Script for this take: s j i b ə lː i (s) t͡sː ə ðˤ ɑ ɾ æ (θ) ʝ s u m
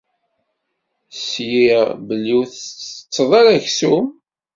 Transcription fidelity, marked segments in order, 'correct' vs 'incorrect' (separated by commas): incorrect, incorrect